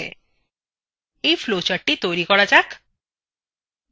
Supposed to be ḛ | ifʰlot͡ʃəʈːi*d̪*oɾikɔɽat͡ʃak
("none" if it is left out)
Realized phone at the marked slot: t̪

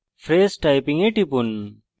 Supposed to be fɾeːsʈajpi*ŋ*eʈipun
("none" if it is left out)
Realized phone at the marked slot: ŋ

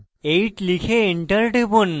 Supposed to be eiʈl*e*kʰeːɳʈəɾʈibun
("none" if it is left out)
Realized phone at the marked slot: i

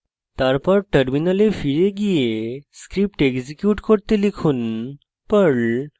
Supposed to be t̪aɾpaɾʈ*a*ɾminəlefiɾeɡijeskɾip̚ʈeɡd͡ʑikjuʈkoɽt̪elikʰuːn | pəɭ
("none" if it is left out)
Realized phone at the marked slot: ə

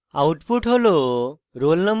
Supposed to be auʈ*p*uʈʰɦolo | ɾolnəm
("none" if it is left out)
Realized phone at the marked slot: p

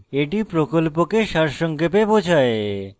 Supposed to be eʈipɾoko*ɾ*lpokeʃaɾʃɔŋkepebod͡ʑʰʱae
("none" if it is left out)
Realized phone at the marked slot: none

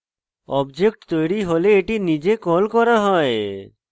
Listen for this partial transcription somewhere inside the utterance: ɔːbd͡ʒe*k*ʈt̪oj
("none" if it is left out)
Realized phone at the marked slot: k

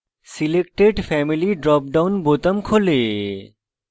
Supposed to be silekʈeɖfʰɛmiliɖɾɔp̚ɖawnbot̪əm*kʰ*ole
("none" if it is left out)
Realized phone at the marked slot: kʰ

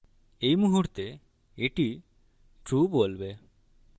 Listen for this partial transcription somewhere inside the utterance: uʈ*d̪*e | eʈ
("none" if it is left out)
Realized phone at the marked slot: t̪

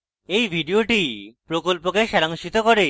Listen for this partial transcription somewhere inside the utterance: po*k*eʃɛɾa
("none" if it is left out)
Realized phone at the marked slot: k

